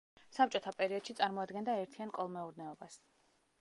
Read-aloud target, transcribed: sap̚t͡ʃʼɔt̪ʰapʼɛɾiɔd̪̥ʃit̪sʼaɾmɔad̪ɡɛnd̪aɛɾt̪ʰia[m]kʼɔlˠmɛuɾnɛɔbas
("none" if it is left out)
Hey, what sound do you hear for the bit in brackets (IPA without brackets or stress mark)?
n